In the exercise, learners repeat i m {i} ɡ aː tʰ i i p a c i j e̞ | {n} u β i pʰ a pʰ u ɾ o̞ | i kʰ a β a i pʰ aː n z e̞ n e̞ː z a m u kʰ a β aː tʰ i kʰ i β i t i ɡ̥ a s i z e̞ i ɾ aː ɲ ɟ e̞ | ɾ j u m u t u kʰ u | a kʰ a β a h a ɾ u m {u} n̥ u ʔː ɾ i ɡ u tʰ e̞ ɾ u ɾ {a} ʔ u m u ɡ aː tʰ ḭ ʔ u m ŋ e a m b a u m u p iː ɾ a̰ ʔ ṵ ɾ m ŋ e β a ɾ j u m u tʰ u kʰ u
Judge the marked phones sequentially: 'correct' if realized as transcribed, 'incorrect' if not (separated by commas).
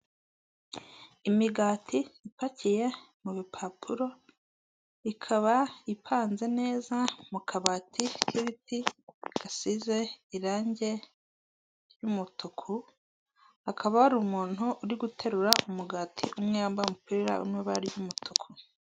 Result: correct, incorrect, incorrect, correct